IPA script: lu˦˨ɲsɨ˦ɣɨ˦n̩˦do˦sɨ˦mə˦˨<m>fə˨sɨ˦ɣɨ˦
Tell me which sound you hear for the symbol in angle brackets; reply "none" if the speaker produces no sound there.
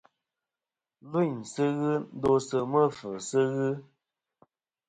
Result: none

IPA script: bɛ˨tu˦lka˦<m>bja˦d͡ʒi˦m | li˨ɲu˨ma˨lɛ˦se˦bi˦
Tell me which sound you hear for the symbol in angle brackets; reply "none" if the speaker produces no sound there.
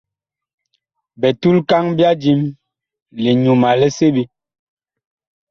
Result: ŋ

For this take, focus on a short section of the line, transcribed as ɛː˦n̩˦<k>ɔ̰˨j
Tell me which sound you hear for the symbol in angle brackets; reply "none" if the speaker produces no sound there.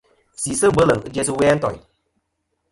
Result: t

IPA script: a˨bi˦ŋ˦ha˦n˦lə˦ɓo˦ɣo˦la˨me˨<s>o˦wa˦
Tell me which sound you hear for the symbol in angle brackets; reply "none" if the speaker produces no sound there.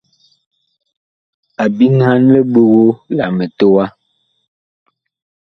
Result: t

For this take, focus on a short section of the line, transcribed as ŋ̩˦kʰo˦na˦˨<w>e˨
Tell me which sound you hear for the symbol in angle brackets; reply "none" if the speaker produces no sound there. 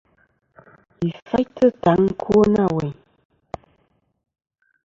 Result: w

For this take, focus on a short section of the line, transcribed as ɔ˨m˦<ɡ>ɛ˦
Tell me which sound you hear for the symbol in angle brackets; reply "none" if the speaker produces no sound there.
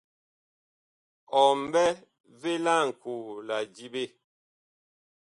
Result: b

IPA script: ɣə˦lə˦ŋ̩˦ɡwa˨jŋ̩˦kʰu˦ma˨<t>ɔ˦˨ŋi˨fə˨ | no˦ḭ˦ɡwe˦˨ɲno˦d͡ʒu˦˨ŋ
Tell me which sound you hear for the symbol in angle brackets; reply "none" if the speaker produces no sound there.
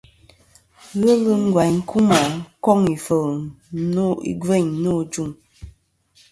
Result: k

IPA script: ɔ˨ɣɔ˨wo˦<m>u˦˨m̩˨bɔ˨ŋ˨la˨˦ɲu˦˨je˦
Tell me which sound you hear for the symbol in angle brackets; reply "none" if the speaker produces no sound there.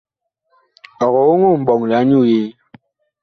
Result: ŋ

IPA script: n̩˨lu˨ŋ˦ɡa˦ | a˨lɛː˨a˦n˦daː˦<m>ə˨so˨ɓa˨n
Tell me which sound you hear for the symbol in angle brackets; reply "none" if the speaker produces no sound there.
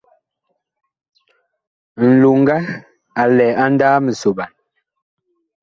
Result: m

